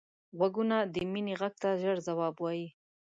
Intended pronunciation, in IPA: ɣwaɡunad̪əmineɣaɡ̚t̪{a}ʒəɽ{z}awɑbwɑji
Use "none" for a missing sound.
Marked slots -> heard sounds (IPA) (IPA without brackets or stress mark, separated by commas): a, z